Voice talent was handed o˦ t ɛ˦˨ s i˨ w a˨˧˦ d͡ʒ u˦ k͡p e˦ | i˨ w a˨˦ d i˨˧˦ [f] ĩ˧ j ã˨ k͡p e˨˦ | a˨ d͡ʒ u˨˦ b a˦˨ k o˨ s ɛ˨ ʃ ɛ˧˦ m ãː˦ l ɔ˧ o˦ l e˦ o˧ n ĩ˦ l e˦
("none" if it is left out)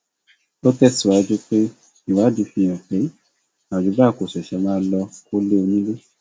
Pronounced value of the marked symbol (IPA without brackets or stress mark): f